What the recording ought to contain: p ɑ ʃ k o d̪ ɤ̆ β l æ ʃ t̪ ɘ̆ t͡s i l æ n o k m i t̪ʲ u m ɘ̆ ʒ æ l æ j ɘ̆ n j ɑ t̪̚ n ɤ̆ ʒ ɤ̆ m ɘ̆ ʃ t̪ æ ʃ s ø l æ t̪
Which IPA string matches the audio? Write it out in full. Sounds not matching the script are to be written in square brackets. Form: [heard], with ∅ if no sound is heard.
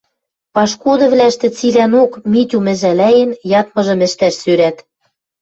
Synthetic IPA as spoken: p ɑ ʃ k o d̪ ɤ̆ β l æ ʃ t̪ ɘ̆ t͡s i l æ n o k m i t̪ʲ u m ɘ̆ ʒ æ l æ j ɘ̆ n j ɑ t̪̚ [m] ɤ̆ ʒ ɤ̆ m ɘ̆ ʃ t̪ æ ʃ s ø [ɾ] æ t̪